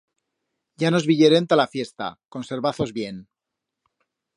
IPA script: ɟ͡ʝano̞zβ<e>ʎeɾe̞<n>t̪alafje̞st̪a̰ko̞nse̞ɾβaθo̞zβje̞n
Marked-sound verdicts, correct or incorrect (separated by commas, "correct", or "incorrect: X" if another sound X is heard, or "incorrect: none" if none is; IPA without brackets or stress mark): incorrect: i, correct